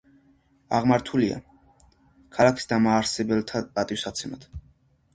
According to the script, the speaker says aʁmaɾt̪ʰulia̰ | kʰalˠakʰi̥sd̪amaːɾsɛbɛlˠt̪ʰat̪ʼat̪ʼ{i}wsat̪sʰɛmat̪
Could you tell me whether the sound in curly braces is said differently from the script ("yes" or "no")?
no